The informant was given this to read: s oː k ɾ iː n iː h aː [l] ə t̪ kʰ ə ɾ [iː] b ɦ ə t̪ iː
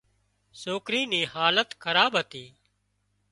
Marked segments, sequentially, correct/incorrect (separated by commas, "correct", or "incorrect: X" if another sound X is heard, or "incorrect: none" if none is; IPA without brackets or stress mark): correct, incorrect: aː